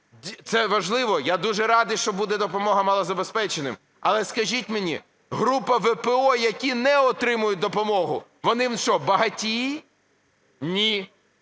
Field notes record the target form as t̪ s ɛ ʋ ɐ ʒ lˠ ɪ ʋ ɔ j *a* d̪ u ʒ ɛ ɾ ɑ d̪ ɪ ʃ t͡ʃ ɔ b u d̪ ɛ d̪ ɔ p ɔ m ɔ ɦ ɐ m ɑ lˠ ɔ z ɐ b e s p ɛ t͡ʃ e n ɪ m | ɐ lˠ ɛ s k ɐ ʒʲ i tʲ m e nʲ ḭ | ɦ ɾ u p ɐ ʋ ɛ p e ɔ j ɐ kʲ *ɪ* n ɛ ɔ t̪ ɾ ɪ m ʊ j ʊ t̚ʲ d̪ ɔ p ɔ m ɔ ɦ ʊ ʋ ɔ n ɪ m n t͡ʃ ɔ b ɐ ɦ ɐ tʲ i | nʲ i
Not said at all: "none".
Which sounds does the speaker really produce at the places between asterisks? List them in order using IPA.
a, i

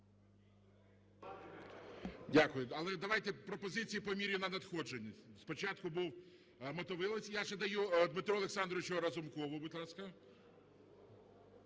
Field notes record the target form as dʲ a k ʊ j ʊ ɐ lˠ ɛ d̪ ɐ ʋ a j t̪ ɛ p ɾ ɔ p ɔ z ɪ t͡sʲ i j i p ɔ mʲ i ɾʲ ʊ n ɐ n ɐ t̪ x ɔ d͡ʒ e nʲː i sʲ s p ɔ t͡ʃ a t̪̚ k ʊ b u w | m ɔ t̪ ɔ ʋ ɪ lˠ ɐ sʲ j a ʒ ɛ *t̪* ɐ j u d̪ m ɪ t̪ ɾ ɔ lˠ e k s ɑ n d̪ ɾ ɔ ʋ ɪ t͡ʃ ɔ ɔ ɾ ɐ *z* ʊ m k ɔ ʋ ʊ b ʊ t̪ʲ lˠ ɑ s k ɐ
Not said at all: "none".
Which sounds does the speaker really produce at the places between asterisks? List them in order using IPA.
d̪, z

